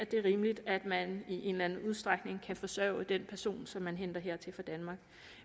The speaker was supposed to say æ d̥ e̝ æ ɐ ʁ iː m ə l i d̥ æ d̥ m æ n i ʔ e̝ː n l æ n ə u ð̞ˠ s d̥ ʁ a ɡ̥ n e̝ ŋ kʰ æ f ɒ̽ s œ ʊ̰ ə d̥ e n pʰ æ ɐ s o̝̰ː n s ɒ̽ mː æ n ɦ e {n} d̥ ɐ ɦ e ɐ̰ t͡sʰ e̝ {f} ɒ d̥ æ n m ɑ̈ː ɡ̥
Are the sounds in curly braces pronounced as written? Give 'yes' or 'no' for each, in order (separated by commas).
yes, yes